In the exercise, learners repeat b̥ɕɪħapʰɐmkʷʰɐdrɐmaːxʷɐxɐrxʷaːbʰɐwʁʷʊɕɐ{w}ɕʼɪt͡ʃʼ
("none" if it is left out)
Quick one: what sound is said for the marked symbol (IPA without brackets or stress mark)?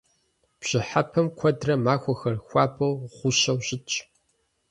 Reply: w